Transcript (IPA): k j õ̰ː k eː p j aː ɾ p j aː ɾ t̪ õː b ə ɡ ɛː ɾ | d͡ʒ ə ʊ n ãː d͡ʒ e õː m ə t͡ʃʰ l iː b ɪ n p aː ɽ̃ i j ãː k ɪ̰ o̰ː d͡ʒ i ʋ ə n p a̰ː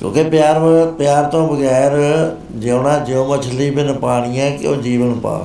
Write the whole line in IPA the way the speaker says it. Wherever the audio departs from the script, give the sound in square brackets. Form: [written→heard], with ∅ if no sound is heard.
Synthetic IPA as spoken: k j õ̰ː k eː p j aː ɾ p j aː ɾ t̪ õː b ə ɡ ɛː ɾ | d͡ʒ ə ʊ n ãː d͡ʒ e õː m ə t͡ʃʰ l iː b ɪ n p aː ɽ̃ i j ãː k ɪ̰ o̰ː d͡ʒ [i→iː] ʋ ə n p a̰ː